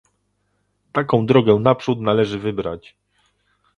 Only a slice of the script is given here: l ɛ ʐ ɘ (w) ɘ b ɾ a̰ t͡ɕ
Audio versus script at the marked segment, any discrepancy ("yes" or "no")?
yes